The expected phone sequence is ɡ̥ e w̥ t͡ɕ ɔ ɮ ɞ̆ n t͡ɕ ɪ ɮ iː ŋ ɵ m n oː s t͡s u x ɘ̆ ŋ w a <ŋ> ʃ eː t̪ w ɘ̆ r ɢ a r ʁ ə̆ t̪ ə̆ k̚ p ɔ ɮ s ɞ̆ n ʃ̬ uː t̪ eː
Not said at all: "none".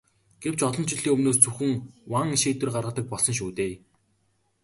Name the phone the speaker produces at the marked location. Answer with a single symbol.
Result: ŋ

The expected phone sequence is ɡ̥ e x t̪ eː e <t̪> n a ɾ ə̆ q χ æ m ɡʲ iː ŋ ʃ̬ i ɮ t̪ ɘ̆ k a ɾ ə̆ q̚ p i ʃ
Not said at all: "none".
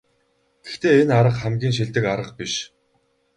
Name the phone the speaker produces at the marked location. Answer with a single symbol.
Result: none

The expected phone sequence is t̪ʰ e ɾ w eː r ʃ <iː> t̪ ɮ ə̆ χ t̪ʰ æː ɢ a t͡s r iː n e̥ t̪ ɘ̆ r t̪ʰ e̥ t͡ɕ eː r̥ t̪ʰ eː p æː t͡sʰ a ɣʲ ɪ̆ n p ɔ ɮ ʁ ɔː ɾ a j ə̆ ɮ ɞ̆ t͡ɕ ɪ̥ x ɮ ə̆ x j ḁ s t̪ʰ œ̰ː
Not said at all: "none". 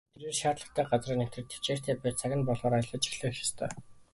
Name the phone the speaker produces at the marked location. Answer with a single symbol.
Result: aː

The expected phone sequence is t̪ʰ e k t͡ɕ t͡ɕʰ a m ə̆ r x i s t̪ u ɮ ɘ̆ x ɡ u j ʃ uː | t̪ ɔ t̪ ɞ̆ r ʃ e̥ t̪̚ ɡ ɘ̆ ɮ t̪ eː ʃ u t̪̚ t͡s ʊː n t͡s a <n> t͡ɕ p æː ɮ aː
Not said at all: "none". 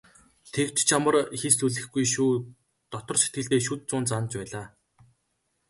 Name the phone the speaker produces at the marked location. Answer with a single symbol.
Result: n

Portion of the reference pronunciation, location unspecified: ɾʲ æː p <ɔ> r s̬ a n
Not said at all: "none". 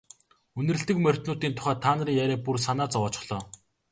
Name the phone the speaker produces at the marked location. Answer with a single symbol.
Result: u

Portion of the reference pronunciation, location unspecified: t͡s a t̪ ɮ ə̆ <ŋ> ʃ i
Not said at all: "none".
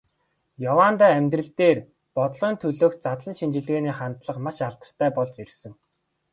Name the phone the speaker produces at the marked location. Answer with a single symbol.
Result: n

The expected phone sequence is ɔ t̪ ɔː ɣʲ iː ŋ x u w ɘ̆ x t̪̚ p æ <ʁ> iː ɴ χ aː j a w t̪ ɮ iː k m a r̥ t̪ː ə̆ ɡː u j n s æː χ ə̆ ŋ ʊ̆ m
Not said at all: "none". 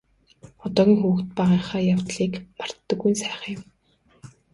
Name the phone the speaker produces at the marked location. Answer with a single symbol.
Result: ʁ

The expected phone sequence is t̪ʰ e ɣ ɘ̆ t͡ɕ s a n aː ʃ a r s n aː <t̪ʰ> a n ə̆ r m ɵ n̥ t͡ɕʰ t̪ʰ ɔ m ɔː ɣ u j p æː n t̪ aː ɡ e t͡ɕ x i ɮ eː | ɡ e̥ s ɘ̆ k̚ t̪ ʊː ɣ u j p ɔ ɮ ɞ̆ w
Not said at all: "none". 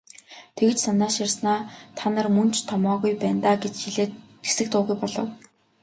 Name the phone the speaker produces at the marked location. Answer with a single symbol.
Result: t̪ʰ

